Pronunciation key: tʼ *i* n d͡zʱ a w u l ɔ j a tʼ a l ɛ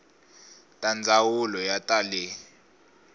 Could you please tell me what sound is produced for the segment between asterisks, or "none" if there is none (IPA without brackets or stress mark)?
a